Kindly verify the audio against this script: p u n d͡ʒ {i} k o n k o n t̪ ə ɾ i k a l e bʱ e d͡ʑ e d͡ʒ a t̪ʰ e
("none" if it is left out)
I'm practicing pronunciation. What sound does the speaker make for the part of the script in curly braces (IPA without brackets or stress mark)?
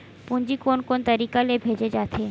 i